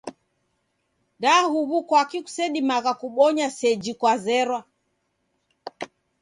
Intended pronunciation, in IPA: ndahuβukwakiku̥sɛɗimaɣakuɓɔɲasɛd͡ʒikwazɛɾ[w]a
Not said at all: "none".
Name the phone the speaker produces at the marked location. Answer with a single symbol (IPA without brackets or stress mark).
w